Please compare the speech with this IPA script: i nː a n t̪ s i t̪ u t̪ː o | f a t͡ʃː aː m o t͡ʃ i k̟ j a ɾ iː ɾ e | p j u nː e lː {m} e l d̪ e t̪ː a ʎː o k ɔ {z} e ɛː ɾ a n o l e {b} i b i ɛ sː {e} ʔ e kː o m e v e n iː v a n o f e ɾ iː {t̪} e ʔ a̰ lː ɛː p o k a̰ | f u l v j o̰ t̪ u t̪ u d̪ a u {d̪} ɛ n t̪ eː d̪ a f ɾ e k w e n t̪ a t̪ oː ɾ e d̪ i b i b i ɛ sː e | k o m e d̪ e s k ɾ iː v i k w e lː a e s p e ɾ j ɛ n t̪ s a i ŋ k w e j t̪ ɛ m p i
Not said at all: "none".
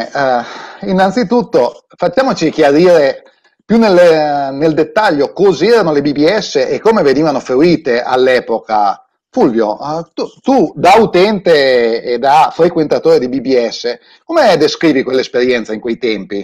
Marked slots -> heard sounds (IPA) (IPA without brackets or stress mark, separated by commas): n, z, b, e, t̪, t̪